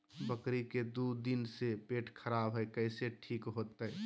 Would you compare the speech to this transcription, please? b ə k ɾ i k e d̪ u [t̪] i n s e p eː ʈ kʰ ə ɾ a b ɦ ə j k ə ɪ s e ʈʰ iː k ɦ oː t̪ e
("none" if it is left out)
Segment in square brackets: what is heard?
d̪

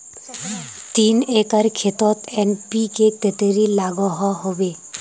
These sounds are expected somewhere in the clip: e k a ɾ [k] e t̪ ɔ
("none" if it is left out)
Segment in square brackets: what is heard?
kʰ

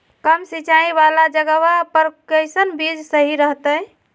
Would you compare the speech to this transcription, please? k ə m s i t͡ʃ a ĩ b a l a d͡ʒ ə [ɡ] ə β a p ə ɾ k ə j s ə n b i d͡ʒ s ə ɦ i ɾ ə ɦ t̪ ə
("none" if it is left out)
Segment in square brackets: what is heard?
ɡ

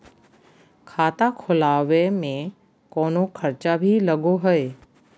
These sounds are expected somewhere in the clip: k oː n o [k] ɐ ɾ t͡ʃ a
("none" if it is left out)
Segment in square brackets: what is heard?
kʰ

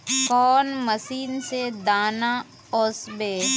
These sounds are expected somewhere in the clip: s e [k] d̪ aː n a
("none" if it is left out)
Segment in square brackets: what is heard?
none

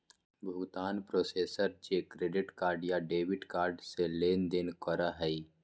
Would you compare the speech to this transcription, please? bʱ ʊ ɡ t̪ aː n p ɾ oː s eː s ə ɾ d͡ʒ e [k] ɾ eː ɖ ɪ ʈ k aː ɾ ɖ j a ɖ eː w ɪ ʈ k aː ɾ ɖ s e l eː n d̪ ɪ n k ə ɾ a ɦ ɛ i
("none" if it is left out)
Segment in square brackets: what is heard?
k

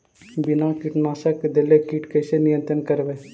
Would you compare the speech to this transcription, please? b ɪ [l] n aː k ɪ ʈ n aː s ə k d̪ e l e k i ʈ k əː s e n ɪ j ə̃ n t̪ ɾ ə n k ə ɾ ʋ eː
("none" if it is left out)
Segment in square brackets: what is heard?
none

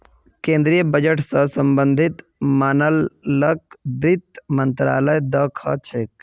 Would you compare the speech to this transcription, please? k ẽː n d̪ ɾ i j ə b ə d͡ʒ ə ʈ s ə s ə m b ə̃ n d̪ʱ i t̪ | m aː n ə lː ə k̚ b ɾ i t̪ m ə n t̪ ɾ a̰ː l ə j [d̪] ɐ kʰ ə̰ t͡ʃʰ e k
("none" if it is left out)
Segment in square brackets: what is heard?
d̪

